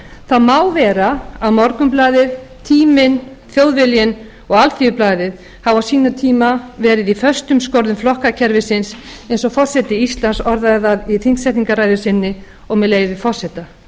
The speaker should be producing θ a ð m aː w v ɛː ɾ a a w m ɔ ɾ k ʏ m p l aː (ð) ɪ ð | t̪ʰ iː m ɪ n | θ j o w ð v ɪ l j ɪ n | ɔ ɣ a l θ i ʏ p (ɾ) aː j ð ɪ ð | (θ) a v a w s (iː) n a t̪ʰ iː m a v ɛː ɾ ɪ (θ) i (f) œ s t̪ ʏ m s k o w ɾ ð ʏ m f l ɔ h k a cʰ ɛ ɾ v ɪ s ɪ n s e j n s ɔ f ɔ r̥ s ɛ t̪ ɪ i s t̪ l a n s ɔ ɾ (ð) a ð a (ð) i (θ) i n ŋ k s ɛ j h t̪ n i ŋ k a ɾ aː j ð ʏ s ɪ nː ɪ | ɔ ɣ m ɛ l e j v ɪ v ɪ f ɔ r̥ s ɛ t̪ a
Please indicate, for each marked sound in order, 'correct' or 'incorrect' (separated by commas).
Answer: correct, incorrect, incorrect, correct, incorrect, correct, correct, correct, correct